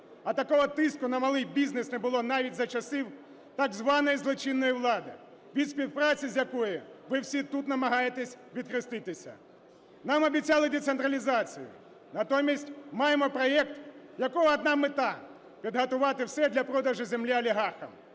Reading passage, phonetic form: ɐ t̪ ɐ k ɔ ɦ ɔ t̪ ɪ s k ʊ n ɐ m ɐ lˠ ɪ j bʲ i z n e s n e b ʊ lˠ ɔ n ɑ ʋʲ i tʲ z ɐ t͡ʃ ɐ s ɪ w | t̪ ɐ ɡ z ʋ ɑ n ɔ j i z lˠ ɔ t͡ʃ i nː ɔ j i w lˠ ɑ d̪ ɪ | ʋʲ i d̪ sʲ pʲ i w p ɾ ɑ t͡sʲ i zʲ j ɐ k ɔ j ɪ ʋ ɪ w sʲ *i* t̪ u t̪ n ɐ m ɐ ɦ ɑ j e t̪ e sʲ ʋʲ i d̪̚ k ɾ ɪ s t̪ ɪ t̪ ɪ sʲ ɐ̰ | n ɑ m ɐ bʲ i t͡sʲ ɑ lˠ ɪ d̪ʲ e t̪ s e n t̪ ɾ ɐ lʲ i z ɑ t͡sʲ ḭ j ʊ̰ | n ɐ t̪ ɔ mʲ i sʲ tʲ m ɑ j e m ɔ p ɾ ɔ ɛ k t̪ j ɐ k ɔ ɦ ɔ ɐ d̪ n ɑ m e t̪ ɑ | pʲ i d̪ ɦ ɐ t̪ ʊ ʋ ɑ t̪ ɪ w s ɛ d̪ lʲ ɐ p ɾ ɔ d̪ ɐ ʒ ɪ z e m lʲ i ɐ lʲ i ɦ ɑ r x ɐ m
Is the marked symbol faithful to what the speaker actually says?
yes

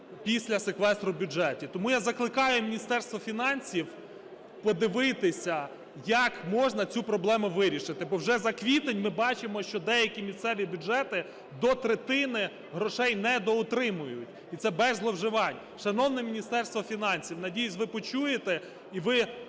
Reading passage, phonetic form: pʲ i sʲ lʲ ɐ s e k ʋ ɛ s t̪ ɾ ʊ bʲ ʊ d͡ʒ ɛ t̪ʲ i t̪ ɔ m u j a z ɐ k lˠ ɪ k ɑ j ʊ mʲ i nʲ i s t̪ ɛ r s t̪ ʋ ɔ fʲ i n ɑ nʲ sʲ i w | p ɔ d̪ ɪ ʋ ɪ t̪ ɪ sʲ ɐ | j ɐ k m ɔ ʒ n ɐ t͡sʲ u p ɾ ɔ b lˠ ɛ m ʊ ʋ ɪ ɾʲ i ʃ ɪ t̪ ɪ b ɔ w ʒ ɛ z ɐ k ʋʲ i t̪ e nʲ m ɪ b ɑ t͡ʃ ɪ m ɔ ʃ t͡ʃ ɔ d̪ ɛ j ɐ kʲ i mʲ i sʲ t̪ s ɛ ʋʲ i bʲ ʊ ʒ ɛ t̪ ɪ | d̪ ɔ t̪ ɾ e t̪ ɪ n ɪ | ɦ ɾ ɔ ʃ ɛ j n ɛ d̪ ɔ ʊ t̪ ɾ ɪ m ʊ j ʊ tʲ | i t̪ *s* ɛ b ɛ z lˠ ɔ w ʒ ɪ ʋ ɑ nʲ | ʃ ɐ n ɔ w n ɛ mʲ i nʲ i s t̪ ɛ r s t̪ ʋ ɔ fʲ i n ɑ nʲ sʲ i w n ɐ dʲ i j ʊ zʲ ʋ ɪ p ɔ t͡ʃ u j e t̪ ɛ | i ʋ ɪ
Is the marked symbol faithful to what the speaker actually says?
yes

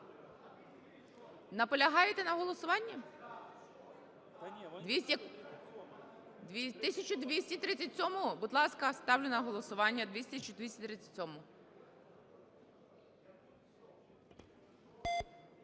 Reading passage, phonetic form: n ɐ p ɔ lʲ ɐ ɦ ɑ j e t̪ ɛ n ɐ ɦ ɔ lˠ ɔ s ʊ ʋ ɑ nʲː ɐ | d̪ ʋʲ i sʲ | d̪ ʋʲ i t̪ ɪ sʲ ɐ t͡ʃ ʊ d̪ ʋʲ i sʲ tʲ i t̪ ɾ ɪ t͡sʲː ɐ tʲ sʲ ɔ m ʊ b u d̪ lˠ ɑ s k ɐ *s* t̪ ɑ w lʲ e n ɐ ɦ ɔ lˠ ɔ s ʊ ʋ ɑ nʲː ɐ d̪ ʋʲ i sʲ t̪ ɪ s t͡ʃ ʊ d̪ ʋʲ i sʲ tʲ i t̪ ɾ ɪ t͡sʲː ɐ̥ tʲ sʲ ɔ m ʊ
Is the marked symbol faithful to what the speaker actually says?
yes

